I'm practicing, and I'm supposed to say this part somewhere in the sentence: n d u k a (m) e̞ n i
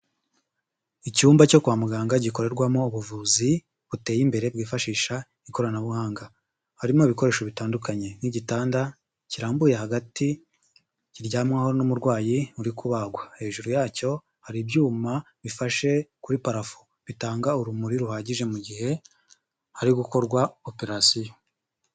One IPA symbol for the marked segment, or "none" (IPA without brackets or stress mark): ɲ